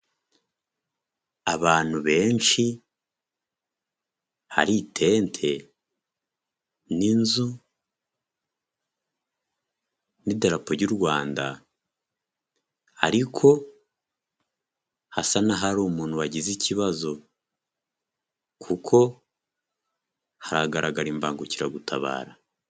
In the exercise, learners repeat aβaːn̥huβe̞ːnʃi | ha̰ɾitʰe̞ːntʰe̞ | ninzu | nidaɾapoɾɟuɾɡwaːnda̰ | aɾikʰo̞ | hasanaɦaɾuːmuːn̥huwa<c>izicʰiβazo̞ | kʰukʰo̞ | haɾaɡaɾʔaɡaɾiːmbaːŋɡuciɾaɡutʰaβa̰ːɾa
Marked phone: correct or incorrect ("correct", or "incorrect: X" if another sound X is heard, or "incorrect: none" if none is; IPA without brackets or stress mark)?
incorrect: ɟ